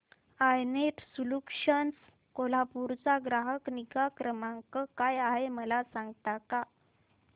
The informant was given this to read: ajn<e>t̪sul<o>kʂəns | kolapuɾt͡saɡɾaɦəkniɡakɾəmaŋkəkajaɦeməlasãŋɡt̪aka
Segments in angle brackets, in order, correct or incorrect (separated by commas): correct, incorrect